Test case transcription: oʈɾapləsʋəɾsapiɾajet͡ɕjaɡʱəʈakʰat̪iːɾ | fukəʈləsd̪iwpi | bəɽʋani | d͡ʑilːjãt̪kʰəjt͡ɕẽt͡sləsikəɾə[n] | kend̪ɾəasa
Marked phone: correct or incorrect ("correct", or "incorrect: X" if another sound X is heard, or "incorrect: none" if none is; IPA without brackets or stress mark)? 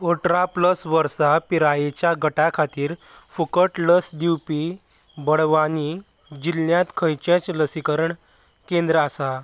incorrect: ɳ